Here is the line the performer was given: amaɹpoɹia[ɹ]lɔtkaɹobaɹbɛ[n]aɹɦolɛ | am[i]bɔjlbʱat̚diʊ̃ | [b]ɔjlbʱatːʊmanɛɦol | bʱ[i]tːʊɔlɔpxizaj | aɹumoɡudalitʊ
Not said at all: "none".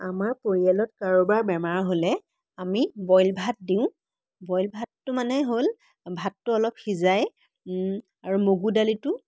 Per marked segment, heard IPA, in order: none, m, i, b, a

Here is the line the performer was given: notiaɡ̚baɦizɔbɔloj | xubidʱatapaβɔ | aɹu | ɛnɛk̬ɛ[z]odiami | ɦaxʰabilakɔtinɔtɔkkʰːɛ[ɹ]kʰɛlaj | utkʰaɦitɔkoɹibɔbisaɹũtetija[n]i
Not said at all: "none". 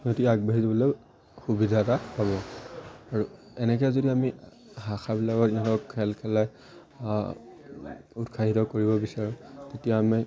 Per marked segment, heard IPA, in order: z, l, m

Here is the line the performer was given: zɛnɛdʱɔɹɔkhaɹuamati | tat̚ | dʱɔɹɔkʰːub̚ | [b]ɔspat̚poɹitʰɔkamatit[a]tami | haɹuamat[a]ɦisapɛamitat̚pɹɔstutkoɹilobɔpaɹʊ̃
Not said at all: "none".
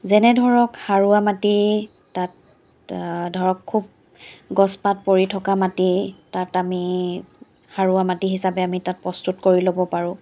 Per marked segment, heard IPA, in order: ɡ, a, i

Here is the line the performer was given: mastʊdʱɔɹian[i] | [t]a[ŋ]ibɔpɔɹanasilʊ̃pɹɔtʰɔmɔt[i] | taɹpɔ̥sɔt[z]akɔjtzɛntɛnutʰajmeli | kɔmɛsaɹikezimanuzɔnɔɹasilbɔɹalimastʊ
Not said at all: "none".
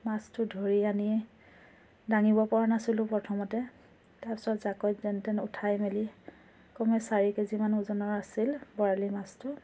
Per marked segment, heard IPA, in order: i, d, ŋ, ɛ, z

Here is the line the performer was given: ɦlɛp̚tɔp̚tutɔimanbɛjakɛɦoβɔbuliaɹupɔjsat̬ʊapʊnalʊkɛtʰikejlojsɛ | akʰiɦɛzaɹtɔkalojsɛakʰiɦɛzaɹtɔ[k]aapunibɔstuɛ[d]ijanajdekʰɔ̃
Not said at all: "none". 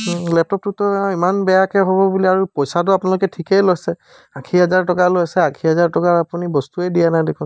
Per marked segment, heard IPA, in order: k, d

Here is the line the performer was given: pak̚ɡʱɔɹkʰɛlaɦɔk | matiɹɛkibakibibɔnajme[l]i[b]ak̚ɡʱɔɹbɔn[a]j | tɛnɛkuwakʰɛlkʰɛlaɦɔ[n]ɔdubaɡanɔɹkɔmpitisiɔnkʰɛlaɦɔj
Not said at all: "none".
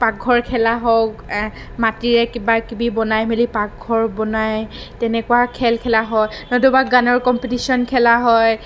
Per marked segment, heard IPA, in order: l, p, a, n

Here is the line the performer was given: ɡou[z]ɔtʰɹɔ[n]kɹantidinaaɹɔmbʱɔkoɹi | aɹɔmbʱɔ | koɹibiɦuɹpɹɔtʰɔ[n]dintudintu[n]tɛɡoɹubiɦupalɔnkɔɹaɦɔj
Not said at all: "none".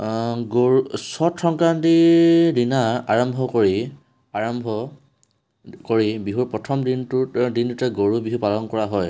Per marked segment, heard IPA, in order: s, ŋ, m, none

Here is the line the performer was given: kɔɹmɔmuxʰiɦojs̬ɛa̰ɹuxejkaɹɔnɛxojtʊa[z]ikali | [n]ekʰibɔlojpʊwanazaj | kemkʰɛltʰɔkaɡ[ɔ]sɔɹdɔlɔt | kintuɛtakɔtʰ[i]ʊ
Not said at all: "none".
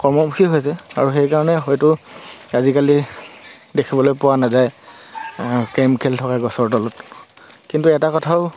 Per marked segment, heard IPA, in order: z, d, ɔ, a

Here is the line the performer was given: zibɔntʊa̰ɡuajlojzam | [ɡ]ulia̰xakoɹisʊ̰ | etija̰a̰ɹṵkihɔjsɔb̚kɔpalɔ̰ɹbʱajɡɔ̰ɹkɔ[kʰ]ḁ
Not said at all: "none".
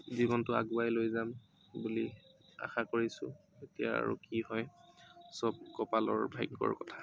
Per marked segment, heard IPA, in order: b, tʰ

